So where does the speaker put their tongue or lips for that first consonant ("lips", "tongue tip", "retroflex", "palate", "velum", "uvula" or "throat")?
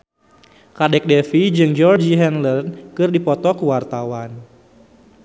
velum